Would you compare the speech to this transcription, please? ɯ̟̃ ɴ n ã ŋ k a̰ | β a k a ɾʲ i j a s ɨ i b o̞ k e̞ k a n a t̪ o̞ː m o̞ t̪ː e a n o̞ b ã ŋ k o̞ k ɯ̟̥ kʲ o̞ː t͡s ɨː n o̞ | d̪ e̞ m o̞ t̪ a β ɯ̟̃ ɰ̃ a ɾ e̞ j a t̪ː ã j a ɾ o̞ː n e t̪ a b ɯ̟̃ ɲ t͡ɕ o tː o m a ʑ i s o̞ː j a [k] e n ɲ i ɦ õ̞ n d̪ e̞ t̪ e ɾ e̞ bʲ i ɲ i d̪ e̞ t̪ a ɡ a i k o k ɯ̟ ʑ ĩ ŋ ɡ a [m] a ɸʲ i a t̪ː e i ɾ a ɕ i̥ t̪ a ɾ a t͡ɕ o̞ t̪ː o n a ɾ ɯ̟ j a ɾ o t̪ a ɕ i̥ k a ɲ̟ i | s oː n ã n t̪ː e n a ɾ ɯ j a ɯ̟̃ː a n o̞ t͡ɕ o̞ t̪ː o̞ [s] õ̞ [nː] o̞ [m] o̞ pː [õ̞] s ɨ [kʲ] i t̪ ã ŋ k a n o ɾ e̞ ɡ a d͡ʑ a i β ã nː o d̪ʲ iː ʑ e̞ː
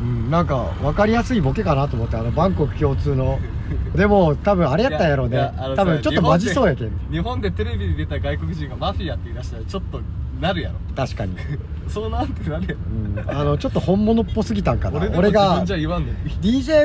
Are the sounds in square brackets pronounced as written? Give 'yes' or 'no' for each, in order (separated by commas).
yes, yes, no, no, no, no, no